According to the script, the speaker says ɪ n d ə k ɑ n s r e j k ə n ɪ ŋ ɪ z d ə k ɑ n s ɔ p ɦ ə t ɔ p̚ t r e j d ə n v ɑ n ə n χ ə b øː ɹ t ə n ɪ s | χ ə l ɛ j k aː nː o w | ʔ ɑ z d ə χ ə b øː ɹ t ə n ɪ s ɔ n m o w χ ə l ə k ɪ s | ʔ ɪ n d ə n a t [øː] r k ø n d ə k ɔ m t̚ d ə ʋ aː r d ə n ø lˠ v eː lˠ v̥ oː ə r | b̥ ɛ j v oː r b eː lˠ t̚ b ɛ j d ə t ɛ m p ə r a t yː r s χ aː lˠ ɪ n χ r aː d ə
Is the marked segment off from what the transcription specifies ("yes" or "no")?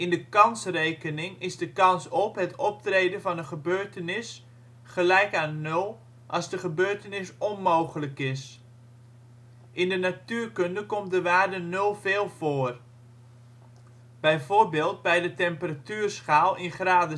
yes